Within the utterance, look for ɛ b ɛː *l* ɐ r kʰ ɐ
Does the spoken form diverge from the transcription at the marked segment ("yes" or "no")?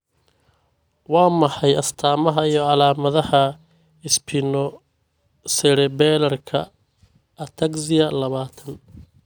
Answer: no